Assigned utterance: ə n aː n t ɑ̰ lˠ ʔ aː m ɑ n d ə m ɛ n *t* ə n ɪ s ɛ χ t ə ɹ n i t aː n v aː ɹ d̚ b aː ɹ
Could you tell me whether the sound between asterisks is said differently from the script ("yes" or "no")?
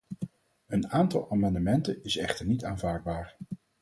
no